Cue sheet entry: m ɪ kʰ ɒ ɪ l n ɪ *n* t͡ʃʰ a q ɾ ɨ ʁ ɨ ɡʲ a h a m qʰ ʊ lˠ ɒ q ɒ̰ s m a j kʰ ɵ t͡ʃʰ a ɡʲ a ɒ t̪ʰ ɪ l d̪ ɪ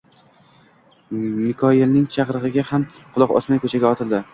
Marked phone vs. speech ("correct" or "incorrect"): incorrect